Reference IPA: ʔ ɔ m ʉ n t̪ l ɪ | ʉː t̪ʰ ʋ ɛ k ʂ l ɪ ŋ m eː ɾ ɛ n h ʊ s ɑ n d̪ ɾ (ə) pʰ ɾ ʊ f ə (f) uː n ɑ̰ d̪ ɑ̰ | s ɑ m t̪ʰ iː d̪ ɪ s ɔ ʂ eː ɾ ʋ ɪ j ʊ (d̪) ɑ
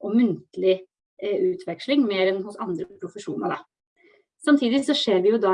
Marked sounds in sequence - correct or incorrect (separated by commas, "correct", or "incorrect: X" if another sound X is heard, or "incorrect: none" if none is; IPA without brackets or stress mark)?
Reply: correct, incorrect: ʂ, correct